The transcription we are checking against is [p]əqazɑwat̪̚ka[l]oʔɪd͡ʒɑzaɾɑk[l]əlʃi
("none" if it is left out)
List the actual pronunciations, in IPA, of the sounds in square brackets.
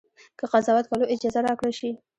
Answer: k, l, ɽ

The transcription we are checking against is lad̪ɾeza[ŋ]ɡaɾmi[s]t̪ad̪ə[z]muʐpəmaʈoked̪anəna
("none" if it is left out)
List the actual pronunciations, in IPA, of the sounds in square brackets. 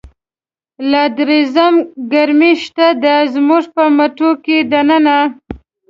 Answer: m, ʃ, z

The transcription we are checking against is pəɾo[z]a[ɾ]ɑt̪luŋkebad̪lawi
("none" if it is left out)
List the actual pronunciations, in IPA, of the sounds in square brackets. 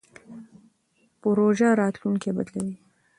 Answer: ʒ, ɾ

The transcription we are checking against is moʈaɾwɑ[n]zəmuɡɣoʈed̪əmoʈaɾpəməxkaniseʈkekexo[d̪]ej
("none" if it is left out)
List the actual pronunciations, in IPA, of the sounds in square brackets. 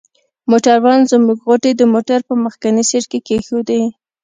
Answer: n, d̪

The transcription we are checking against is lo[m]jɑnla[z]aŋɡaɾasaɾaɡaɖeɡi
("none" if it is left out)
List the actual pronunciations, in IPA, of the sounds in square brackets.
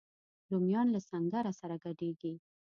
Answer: m, s

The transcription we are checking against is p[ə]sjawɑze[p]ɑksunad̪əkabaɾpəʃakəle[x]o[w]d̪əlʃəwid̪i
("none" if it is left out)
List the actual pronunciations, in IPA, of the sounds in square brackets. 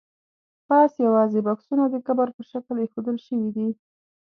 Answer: ɑ, b, x, none

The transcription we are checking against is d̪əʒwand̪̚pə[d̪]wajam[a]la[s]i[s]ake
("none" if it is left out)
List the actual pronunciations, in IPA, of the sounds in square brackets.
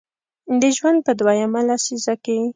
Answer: d̪, a, s, z

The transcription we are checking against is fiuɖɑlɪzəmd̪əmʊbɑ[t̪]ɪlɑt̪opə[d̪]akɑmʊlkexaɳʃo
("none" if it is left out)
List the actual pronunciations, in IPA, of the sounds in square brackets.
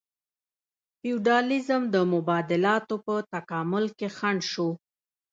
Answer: d̪, t̪

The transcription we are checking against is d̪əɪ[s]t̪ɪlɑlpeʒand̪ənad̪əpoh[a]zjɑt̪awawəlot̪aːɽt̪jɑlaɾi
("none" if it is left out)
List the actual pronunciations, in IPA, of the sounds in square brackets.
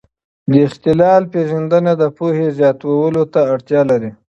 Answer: x, e

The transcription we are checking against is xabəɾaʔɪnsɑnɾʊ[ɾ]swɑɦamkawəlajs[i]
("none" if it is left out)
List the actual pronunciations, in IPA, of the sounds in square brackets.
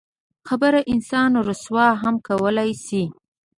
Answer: none, i

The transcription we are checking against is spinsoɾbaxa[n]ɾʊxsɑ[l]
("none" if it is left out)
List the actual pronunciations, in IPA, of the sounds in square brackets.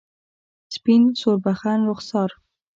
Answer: n, ɾ

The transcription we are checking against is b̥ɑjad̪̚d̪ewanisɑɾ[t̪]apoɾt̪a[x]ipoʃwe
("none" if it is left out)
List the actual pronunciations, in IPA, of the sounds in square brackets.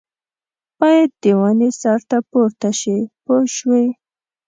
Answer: t̪, ʃ

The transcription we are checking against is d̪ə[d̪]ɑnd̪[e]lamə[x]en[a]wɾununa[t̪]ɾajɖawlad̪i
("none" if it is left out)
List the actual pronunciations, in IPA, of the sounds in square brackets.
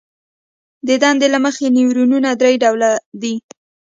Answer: d̪, e, x, i, d̪

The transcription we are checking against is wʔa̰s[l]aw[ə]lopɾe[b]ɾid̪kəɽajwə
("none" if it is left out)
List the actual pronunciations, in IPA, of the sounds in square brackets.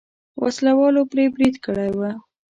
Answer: l, ɑ, b

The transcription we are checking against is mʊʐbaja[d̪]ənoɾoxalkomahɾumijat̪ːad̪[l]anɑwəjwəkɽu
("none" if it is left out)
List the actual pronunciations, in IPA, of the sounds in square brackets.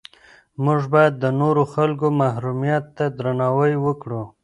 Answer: d̪ː, ɾ

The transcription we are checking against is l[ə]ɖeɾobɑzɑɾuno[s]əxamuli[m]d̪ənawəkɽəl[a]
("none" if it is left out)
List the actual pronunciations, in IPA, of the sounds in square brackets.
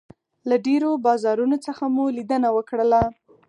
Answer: a, t͡s, none, a

